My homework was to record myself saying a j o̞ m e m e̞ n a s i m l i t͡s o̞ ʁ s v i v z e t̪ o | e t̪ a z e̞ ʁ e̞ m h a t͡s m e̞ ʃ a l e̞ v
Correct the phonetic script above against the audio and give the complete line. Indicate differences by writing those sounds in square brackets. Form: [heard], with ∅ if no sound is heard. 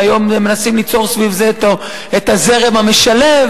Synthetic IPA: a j o̞ m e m e̞ n a s i m l i t͡s o̞ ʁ s v i v z e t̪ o | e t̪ a z e̞ ʁ e̞ m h a [∅] m e̞ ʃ a l e̞ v